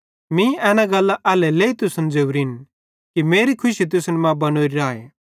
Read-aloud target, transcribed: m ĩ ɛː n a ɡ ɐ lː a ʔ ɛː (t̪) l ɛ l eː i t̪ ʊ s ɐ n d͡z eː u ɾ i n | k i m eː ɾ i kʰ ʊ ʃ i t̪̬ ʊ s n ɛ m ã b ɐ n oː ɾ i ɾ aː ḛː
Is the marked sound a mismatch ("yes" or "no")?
yes